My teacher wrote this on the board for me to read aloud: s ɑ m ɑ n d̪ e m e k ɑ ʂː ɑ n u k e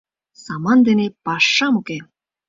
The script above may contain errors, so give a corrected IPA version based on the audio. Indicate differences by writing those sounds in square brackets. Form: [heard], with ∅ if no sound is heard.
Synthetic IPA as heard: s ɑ m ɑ n d̪ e [n] e [p] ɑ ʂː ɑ [m] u k e